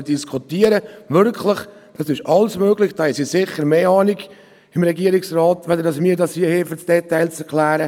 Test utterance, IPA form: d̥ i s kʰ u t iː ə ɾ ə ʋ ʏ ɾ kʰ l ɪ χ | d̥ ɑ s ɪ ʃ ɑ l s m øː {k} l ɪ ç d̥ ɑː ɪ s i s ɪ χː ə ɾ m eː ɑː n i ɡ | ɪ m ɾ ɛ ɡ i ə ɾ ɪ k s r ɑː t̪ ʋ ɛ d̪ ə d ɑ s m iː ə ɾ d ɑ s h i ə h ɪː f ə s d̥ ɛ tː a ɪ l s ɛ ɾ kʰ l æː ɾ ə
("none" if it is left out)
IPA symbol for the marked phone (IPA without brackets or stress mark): ɡ